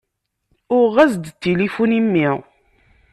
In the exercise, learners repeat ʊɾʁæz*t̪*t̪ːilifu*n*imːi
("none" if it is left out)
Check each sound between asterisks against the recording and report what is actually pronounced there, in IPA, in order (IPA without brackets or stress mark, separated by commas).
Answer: d̪, n